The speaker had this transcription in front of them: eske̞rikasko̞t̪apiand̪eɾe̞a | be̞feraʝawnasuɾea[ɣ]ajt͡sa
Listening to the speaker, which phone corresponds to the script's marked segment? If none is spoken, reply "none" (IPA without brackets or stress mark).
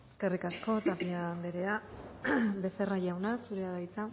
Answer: ð